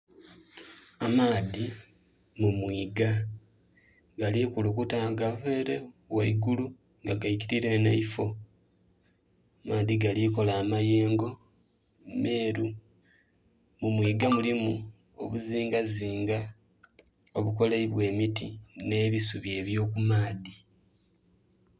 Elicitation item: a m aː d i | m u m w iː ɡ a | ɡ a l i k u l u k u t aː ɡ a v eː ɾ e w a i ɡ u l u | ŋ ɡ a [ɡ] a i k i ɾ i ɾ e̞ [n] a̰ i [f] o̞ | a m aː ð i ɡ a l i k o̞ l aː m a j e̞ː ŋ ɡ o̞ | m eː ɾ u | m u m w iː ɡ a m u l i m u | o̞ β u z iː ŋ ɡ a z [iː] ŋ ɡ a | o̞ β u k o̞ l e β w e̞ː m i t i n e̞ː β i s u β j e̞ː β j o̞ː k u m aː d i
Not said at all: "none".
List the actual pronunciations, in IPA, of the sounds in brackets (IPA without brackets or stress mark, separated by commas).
ɡ, n, f, iː